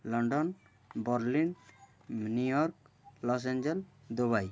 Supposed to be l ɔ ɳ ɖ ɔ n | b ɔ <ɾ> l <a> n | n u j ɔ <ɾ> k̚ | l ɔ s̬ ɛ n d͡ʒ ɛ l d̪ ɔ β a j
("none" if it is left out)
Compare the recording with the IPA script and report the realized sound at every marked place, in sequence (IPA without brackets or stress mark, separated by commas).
ɾ, i, ɾ